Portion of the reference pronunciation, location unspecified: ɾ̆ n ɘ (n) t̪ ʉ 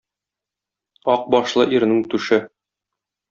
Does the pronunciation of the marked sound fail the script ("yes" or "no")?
yes